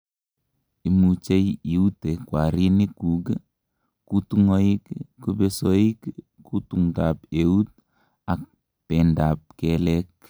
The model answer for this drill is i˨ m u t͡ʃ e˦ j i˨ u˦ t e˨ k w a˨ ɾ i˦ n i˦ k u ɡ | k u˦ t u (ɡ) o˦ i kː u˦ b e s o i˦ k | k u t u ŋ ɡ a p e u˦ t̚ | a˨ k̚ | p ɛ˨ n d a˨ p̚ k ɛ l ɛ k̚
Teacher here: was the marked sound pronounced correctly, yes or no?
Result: no